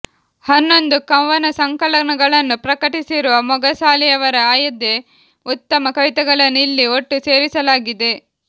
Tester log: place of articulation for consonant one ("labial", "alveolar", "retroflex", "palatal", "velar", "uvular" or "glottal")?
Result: glottal